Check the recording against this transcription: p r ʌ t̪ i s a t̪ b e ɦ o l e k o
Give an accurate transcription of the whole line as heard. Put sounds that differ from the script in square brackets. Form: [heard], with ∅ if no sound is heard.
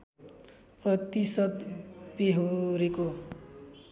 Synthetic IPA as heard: p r ʌ t̪ i s [ʌ] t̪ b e ɦ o [ɾ] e k o